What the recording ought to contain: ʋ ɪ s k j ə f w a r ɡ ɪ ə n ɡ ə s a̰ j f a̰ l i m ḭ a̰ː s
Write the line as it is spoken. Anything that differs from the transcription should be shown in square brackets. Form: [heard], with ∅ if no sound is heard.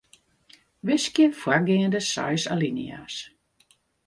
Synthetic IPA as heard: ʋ ɪ s k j ə f w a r ɡ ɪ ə n [d] ə s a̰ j [s] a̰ l i [n] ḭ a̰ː s